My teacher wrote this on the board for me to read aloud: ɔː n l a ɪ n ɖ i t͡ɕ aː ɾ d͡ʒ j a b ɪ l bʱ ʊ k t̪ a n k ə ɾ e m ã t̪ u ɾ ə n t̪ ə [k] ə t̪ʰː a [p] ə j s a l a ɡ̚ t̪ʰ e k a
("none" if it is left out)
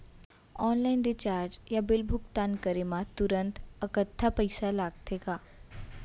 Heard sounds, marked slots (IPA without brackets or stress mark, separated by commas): k, p